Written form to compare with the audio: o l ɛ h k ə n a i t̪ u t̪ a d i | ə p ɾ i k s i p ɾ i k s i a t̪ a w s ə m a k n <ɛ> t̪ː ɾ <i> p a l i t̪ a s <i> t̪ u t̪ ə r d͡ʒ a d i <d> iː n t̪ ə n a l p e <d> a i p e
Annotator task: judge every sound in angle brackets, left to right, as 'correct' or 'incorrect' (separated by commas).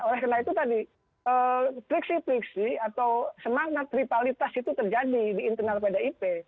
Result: incorrect, correct, correct, correct, correct